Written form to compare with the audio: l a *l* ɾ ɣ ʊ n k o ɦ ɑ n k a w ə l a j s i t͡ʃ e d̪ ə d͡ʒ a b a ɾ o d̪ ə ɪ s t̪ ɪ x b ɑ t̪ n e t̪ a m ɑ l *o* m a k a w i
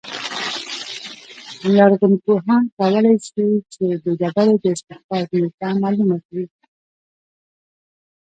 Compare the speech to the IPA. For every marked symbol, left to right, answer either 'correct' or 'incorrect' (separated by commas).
incorrect, incorrect